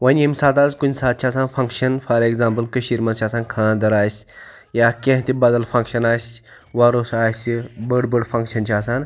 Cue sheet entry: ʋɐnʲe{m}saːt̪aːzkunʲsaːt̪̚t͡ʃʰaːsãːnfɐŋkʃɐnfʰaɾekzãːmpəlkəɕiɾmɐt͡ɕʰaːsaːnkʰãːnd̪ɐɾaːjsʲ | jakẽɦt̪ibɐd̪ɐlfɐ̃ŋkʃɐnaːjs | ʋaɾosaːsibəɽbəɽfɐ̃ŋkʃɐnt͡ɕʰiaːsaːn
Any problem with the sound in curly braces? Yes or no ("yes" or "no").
no